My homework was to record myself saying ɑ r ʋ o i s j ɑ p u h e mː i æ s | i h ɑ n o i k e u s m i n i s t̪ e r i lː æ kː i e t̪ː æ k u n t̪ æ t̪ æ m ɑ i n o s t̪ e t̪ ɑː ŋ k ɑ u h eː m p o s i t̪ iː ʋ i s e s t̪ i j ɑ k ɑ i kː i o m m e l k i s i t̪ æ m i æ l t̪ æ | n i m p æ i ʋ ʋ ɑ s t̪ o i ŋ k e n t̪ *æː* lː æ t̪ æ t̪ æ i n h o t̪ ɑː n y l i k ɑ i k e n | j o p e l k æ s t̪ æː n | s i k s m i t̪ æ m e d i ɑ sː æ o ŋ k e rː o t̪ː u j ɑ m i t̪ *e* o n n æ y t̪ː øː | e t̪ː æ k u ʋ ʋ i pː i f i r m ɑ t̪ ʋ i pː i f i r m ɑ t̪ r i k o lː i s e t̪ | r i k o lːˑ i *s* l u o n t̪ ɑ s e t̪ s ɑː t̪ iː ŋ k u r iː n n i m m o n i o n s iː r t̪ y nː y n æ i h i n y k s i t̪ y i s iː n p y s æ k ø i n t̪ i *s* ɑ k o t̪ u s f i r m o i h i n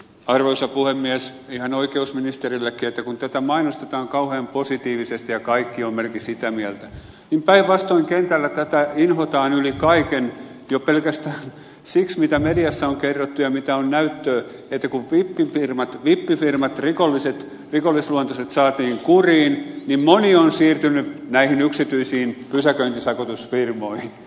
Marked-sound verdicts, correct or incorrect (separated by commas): incorrect, incorrect, correct, correct